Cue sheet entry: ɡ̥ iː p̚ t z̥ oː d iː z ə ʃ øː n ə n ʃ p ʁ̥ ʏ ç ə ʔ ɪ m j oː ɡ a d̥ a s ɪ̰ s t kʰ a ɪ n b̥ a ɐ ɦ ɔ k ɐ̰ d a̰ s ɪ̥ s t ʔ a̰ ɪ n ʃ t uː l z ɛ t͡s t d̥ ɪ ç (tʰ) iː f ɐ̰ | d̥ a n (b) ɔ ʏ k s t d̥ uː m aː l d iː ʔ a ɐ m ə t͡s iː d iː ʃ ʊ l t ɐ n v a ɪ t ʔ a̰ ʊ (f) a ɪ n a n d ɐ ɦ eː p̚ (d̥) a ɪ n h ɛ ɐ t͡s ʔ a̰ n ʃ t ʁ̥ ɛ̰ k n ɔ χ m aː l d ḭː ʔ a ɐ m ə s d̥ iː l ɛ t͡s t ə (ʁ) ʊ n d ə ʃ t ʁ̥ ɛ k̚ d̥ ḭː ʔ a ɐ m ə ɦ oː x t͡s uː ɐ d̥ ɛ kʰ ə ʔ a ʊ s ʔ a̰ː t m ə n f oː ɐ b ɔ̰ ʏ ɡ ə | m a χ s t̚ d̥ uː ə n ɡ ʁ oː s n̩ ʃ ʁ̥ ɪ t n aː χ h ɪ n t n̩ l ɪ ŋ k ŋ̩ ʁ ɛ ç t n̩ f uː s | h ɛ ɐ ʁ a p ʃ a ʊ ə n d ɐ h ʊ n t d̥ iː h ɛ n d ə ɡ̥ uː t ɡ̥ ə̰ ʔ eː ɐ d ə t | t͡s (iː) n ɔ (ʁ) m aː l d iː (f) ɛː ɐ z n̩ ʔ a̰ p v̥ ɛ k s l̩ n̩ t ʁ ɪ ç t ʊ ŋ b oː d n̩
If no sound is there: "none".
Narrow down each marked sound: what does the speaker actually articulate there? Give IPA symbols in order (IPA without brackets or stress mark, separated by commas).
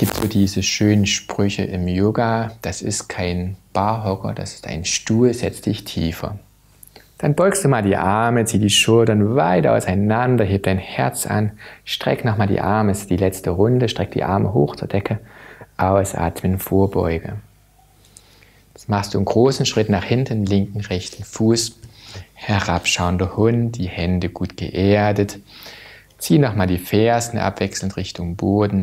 tʰ, b, s, d̥, ʁ, iː, χ, f